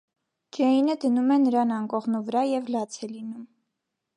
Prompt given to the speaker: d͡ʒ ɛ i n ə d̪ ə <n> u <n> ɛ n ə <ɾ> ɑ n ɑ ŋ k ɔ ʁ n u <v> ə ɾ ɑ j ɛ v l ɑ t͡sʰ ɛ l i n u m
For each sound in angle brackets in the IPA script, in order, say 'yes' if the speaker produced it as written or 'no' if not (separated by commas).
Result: yes, no, yes, yes